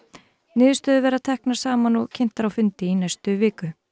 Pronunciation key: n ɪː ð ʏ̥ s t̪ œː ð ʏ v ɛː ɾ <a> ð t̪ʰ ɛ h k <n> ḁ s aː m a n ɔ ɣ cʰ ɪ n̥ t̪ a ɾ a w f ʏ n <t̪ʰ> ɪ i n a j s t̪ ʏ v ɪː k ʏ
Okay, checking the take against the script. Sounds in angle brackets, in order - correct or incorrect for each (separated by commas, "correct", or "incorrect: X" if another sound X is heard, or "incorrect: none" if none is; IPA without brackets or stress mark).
correct, correct, incorrect: t̪